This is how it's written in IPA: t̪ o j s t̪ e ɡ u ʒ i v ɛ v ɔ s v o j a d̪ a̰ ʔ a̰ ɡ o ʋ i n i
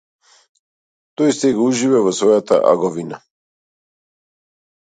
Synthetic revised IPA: t̪ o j s t̪ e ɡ u ʒ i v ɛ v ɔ s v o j a t̪ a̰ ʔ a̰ ɡ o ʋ i n a